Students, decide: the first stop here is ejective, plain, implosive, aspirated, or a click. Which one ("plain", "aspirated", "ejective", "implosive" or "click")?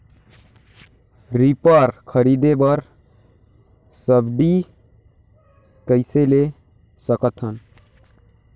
plain